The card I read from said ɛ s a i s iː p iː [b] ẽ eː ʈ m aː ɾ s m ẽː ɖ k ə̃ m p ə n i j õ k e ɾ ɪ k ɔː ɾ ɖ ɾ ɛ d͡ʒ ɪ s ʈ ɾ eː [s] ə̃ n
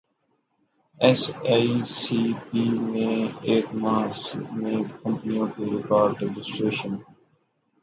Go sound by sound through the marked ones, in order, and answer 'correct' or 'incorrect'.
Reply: incorrect: m, incorrect: ʃ

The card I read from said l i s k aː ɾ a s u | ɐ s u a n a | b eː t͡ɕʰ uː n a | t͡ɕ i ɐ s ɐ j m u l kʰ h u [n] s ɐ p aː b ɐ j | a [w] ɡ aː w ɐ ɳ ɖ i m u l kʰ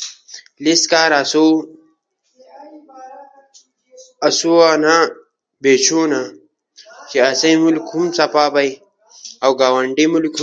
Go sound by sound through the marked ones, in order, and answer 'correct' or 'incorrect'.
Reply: incorrect: m, correct

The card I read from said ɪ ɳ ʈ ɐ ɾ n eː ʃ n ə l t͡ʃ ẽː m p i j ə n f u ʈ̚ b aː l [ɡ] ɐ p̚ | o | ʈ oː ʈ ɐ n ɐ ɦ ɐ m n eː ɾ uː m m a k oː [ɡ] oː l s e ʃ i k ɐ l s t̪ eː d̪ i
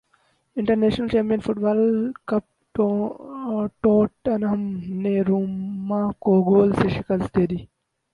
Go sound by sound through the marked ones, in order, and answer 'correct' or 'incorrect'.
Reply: incorrect: k, correct

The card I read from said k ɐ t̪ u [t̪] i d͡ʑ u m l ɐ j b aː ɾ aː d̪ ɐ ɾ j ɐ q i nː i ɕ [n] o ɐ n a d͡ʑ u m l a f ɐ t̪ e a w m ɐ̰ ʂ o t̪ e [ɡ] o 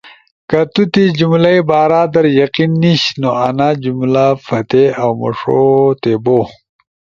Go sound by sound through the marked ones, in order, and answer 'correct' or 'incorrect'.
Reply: correct, correct, incorrect: b

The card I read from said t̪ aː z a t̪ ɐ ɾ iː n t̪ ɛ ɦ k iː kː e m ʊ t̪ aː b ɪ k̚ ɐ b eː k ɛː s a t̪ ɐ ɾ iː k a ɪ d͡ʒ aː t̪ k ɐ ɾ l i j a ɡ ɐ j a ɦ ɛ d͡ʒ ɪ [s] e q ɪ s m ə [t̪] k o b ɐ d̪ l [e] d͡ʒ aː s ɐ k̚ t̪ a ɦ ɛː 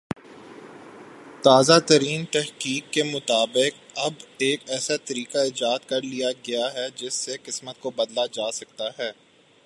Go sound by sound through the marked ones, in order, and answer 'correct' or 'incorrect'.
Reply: incorrect: sː, correct, incorrect: a

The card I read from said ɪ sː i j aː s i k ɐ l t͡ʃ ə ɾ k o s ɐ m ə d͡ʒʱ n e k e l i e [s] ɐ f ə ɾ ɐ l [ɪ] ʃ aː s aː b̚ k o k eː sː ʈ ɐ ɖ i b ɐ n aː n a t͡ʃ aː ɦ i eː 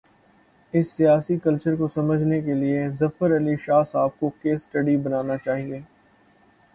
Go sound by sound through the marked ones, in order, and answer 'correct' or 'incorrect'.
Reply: incorrect: z, incorrect: i

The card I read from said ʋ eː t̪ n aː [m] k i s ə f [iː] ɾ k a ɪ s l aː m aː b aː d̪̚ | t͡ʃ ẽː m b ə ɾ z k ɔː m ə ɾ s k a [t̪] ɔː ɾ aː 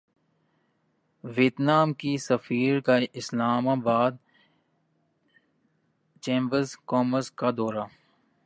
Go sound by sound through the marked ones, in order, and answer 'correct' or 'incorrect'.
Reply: correct, correct, incorrect: d̪

